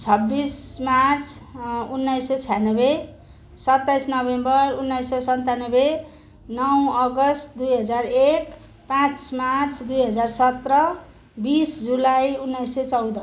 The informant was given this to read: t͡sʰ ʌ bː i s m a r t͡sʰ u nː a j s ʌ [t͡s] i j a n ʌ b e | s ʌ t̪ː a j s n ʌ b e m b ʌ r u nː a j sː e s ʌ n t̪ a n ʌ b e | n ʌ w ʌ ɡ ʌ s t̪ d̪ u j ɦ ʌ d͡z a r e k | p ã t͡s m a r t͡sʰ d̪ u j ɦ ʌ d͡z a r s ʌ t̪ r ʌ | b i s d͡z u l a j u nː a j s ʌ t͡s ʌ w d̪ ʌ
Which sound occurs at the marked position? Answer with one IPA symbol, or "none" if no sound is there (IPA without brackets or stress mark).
t͡sʰ